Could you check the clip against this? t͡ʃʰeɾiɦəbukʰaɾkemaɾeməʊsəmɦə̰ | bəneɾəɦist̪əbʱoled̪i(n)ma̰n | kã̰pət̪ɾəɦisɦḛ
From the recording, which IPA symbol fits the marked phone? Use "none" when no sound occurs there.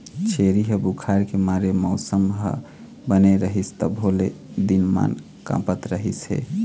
n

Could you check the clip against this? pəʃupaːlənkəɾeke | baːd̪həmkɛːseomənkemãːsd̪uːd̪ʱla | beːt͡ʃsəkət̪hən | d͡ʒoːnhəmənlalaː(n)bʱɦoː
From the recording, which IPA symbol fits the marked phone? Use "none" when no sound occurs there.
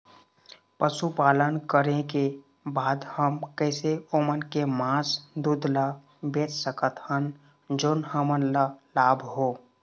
none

